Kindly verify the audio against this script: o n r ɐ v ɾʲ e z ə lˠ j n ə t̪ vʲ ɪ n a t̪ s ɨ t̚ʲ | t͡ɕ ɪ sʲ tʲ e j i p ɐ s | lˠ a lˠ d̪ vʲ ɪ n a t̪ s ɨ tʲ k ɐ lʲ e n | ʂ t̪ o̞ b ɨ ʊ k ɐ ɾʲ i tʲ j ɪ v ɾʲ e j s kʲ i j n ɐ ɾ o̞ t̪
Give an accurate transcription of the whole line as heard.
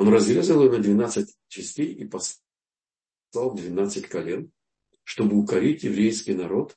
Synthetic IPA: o n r ɐ z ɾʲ e z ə lˠ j n ə d̪ vʲ ɪ n a t̪ s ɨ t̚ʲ | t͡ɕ ɪ sʲ tʲ e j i p ɐ s | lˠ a lˠ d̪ vʲ ɪ n a t̪ s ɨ tʲ k ɐ lʲ e n | ʂ t̪ o̞ b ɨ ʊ k ɐ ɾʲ i tʲ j ɪ v ɾʲ e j s kʲ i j n ɐ ɾ o̞ t̪